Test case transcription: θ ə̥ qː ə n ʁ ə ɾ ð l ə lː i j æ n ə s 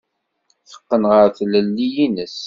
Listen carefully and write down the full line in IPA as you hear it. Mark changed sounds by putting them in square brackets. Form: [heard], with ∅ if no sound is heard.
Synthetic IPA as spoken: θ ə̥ qː ə n ʁ ə ɾ [θ] l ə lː i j [i] n ə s